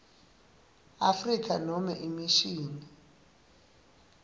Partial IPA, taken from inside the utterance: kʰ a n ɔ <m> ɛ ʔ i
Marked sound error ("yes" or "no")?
no